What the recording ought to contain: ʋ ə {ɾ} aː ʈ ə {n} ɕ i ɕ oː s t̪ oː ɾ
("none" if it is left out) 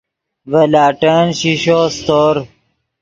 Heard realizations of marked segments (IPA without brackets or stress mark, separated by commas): l, n